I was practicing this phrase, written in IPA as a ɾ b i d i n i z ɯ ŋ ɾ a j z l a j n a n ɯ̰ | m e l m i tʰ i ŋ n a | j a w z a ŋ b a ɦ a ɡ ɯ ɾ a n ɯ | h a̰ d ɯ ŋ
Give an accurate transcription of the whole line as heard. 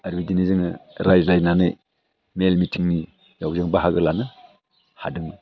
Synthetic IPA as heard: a ɾ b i d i n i z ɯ ŋ ɾ a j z l a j n a n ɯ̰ | m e l m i tʰ i ŋ n i | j a w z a ŋ b a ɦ a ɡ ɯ l a n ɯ | h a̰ d ɯ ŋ